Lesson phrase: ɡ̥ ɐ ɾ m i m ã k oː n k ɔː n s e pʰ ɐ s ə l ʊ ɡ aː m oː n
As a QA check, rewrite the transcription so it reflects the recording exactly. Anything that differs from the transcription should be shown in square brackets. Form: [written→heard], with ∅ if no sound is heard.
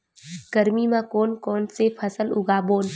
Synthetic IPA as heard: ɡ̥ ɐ ɾ m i m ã k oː n k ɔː n s e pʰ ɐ s ə l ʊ ɡ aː [m→b] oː n